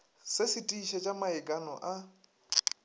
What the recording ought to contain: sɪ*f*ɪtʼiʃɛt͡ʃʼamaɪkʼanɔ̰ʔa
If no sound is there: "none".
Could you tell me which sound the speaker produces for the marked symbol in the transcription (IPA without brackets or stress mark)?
s